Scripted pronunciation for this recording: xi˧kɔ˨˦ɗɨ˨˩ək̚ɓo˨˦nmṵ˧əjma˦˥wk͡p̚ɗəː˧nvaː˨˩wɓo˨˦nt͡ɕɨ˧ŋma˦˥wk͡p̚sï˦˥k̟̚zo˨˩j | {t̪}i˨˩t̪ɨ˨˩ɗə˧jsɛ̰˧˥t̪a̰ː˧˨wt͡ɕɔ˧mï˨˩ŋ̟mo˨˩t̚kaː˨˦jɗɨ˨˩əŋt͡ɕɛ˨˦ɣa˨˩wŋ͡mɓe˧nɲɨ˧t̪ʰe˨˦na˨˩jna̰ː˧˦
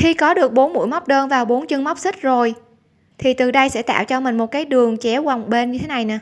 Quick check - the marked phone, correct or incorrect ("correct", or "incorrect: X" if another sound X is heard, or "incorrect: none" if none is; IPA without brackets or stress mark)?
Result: incorrect: t̪ʰ